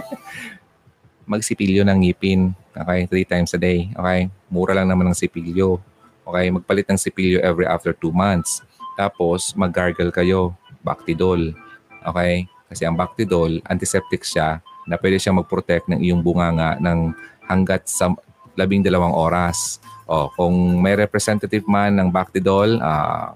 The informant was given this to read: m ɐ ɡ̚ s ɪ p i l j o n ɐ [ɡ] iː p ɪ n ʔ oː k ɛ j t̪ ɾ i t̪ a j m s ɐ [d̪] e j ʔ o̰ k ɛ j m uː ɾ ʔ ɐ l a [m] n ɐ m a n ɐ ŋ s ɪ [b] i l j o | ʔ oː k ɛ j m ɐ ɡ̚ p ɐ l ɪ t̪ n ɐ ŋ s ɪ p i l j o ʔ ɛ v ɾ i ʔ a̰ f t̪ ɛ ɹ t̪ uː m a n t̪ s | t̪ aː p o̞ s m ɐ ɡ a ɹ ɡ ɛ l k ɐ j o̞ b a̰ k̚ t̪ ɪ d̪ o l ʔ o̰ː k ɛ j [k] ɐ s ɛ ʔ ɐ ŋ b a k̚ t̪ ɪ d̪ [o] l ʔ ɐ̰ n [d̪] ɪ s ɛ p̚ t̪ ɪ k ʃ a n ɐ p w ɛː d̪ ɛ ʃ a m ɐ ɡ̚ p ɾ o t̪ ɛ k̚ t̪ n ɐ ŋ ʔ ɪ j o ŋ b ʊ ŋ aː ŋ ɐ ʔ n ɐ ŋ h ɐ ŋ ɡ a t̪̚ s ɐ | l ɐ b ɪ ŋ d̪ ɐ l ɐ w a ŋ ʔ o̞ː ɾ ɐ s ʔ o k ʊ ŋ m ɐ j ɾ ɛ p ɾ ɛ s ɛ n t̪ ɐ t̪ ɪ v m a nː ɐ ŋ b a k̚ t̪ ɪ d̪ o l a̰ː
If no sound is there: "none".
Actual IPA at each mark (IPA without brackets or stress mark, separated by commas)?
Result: ŋ, d̪, ŋ, p, k, o, t̪